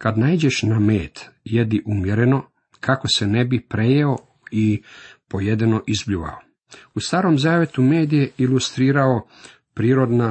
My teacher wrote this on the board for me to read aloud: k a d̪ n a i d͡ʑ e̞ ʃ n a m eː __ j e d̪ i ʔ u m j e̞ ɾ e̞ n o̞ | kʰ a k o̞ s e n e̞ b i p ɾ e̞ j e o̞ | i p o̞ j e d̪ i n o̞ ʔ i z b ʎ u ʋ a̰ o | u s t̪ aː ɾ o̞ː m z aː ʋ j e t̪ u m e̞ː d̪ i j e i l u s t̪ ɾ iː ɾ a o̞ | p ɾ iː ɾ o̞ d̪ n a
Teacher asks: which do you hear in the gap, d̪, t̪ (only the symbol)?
t̪